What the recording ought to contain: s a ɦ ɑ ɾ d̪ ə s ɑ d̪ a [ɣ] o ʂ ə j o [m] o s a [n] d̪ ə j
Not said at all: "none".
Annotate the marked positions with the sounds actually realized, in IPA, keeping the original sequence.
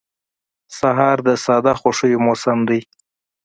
x, m, m

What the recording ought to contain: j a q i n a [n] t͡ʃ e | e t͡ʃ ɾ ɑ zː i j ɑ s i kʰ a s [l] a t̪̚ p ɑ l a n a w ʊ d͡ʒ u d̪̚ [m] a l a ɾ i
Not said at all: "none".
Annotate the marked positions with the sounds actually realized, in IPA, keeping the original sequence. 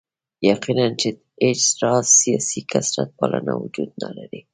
n, ɾ, n

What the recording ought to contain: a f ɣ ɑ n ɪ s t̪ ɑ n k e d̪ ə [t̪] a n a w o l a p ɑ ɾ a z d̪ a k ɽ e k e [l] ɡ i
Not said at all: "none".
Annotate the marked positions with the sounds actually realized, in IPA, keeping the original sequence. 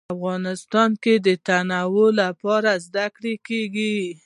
t̪, none

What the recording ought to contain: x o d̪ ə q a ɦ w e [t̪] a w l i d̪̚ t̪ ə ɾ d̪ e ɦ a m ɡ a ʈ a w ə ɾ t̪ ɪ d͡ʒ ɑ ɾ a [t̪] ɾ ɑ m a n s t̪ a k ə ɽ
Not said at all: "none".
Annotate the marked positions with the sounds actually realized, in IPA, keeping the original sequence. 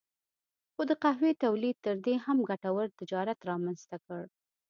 t̪, t̪

